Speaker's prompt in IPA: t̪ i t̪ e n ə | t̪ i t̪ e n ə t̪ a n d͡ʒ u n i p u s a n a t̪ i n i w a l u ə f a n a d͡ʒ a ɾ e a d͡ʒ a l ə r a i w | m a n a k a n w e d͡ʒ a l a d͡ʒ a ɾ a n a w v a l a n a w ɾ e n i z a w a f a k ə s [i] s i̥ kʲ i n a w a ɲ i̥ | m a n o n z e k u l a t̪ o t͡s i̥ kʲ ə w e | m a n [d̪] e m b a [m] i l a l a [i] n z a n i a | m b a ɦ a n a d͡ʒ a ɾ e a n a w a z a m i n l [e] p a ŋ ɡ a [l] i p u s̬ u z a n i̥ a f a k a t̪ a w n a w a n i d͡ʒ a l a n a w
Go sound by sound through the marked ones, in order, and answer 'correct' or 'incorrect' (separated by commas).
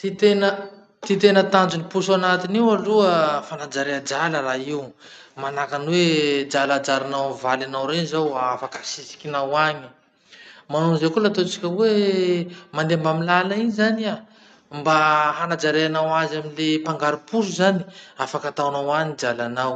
correct, correct, correct, correct, correct, incorrect